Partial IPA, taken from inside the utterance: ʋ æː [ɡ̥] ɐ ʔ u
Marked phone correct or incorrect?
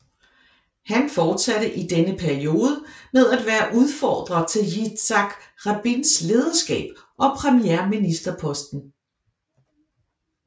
incorrect